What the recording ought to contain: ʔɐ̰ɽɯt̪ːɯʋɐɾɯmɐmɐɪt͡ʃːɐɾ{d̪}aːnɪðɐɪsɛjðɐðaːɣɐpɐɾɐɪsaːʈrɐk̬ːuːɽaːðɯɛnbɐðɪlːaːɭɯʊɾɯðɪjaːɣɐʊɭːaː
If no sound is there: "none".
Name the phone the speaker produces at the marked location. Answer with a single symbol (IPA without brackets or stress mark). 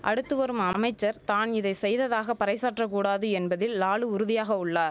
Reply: t̪